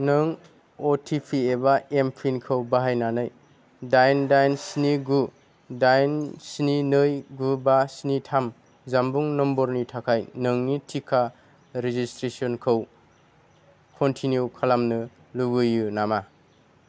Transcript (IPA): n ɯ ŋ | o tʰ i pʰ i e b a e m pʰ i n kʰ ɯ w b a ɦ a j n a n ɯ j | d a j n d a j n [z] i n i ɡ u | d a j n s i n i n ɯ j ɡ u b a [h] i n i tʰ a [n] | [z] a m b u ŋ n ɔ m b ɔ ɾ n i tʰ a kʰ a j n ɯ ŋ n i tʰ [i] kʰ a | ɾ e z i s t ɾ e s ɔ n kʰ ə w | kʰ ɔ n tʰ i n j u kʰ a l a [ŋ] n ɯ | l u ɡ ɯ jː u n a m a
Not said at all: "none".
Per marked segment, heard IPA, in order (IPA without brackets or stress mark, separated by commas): s, s, m, z, i, m